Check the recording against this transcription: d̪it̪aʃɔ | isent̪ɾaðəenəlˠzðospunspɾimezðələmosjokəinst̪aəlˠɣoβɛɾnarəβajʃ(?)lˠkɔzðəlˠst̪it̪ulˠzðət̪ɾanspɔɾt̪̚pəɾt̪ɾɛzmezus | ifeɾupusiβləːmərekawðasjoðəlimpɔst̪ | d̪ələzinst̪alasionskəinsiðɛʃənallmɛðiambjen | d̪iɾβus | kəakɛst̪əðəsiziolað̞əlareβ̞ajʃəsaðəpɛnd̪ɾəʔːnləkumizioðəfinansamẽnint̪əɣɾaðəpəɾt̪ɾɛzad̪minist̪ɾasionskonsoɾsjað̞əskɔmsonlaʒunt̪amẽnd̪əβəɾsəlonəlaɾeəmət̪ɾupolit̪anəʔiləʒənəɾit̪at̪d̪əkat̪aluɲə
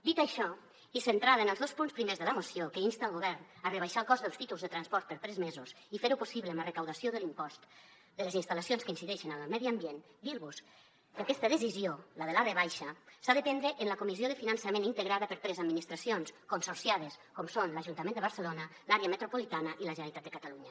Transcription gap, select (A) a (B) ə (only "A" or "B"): A